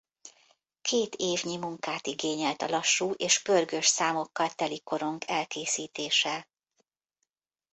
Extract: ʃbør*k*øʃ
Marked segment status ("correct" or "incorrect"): incorrect